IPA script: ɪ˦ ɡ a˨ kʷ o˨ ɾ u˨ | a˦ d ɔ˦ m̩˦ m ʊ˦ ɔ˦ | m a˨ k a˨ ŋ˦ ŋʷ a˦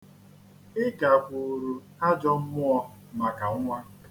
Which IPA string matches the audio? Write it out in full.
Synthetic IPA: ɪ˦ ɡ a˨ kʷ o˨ ɾ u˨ | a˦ d͡ʒ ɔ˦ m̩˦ m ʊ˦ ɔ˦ | m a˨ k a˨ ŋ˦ ŋʷ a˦